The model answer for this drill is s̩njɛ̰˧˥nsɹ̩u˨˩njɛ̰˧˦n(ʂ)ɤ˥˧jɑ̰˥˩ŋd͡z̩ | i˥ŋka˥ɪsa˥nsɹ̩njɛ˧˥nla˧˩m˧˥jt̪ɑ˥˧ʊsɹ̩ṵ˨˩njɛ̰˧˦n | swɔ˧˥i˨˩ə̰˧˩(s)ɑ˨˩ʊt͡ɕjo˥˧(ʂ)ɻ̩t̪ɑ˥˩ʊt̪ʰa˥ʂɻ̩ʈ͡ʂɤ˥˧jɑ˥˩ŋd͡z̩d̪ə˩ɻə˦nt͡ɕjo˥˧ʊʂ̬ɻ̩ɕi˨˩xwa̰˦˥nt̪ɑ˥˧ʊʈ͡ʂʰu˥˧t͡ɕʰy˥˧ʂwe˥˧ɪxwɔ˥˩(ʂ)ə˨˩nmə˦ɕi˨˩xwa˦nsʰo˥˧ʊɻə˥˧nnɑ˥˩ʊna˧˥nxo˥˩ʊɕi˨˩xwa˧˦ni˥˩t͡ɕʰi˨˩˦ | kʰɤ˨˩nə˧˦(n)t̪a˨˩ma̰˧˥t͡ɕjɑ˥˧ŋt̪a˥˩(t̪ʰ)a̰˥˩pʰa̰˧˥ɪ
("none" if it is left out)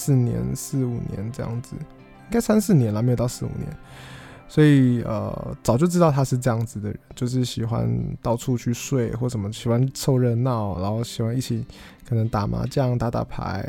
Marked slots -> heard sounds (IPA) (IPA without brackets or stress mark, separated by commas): ʈ͡ʂ, t͡s, ʈ͡ʂ, ʂ, ŋ, t̪